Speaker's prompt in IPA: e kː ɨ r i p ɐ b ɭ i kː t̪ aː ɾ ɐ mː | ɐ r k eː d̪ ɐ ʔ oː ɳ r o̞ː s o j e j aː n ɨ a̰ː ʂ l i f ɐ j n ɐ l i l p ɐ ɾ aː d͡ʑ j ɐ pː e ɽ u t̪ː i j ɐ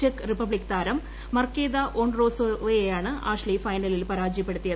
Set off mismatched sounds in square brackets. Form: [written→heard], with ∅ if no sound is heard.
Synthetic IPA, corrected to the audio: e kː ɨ r i p ɐ b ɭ i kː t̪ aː ɾ ɐ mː | ɐ r k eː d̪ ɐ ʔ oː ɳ r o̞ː s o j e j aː [n→ɳ] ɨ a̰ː ʂ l i f ɐ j n ɐ l i l p ɐ ɾ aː d͡ʑ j ɐ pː e ɽ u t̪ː i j ɐ